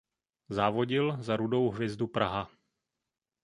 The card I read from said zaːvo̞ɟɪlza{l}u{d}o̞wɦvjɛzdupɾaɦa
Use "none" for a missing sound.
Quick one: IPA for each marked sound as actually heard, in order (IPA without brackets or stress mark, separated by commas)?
ɾ, d